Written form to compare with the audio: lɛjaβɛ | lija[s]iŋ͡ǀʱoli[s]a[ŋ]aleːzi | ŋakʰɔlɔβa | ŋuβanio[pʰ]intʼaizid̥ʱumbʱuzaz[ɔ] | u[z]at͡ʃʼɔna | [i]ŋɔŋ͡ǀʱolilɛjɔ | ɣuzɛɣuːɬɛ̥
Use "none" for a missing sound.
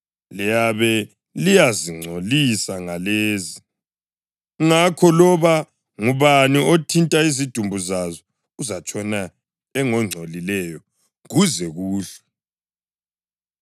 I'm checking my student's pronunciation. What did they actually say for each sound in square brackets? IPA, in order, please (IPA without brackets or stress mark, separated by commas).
z, s, ŋ, tʰ, ɔ, z, ɛ